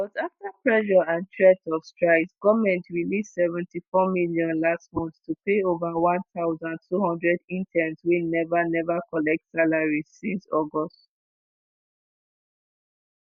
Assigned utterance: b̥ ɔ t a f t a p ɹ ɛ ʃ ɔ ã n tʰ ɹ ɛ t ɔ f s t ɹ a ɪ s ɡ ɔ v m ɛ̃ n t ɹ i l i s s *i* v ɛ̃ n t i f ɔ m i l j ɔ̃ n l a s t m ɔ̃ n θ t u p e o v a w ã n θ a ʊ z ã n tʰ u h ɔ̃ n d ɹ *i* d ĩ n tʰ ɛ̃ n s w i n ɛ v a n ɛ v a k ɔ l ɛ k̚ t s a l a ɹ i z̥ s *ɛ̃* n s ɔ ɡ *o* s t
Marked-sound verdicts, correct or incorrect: incorrect, incorrect, incorrect, incorrect

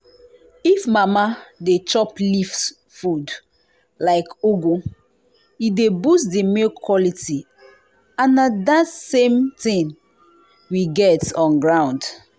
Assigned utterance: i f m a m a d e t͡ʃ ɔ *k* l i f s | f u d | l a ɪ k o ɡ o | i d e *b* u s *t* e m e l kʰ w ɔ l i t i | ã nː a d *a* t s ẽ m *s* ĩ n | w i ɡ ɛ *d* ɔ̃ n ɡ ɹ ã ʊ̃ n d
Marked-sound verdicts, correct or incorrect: incorrect, correct, incorrect, correct, incorrect, incorrect

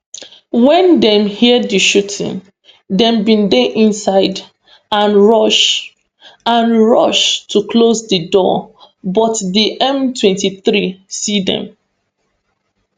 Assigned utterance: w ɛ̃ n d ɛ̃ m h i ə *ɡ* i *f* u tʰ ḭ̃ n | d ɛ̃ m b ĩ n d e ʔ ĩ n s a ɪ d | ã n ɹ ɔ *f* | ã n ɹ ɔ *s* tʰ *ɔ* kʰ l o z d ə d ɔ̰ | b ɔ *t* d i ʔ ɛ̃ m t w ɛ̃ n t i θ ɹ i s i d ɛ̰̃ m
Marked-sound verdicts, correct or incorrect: incorrect, incorrect, incorrect, incorrect, incorrect, correct

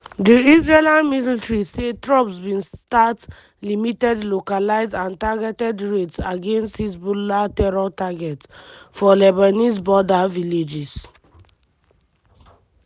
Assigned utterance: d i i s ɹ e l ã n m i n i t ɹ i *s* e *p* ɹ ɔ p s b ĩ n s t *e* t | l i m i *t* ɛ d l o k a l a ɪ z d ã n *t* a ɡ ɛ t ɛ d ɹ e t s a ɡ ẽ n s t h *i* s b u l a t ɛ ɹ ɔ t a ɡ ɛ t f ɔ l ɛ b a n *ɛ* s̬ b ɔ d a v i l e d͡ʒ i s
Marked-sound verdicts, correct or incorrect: correct, incorrect, incorrect, correct, correct, correct, incorrect

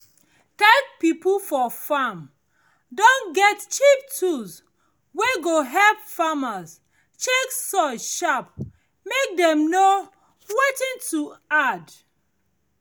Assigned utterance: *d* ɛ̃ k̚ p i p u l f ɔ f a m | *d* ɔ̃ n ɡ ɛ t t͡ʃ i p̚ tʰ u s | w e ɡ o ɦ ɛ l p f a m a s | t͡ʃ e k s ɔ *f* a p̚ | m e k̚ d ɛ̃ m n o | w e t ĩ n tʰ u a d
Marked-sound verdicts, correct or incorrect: incorrect, correct, incorrect

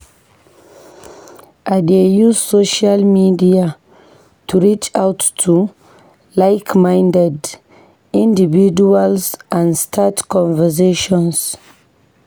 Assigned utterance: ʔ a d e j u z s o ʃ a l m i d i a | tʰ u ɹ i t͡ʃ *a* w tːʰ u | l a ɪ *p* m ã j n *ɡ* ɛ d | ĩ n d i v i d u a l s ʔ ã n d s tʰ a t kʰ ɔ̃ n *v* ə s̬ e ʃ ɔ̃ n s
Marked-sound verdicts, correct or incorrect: correct, incorrect, incorrect, correct

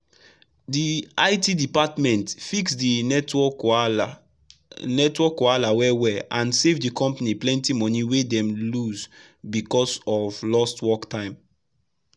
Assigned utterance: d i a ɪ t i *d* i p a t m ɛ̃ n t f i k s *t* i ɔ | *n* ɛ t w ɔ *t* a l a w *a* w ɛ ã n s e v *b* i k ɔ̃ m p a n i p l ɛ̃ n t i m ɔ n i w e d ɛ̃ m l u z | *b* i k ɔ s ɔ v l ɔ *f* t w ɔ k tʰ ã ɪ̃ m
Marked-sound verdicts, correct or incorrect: correct, incorrect, correct, incorrect, incorrect, incorrect, correct, incorrect

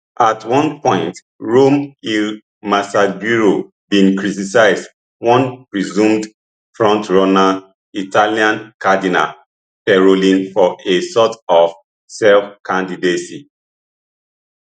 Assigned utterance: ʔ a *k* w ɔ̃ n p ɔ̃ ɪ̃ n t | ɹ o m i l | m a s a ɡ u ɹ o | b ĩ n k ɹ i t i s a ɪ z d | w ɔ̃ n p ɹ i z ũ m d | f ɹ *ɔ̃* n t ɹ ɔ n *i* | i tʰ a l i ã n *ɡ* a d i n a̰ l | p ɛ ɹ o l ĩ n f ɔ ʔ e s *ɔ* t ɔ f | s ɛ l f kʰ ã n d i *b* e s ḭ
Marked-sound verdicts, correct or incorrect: incorrect, correct, incorrect, incorrect, correct, incorrect

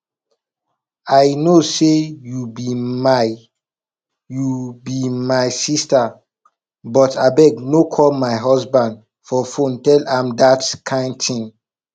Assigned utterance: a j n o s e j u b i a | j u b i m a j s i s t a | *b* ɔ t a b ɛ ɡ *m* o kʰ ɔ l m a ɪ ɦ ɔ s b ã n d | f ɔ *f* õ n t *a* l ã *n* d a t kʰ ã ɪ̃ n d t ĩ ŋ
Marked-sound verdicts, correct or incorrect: correct, incorrect, correct, incorrect, incorrect

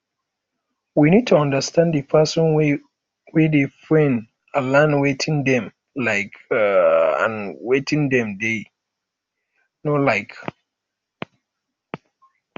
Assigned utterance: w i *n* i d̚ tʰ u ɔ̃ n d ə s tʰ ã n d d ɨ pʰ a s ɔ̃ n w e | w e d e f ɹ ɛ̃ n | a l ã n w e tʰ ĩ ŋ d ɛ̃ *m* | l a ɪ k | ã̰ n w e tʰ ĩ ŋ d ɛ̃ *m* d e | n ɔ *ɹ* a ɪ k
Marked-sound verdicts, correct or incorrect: correct, correct, correct, incorrect

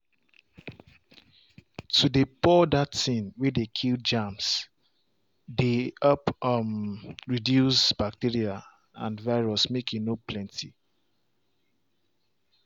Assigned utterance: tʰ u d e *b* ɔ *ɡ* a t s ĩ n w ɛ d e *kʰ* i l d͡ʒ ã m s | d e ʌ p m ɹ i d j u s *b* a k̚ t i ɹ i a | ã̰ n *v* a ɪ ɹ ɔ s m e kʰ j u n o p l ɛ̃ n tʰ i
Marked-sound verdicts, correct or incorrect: incorrect, incorrect, correct, correct, correct

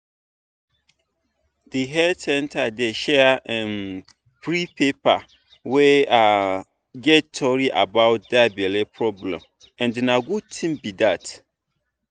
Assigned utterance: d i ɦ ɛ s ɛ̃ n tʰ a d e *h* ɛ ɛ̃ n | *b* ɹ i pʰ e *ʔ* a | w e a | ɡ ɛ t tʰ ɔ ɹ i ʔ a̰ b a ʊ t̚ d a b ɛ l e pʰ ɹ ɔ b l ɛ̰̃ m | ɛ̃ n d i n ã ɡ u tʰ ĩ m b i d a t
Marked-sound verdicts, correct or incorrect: incorrect, incorrect, incorrect

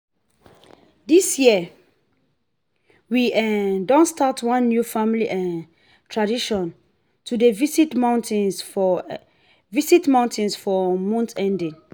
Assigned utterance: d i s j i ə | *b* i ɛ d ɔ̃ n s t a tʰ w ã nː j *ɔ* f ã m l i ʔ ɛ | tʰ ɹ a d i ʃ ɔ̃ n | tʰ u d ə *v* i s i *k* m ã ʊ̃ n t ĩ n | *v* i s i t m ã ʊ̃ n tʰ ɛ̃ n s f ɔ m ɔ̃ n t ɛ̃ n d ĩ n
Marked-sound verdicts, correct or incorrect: incorrect, incorrect, correct, incorrect, correct

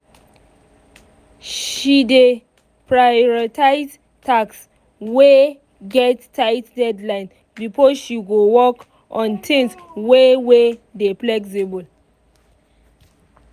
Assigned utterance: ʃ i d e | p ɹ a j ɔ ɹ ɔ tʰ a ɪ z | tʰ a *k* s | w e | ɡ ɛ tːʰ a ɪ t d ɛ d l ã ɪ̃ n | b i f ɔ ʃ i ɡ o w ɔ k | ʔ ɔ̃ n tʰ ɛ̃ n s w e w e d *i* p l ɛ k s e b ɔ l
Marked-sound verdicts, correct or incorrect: correct, incorrect

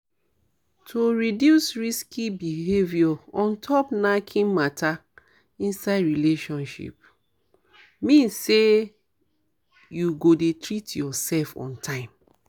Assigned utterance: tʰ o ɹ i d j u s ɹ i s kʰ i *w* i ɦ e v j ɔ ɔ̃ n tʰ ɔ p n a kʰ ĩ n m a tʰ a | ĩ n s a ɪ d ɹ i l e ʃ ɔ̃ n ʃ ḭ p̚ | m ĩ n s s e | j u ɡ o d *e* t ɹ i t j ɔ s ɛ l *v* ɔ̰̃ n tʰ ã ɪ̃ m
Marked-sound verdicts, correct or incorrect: incorrect, correct, incorrect

